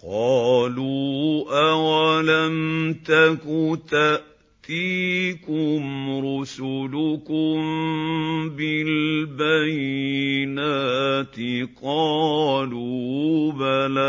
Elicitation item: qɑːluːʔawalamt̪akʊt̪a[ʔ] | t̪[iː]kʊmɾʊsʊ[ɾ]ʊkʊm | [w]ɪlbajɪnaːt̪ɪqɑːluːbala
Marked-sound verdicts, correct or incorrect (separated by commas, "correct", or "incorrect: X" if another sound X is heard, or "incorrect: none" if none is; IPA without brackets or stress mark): correct, correct, incorrect: l, incorrect: b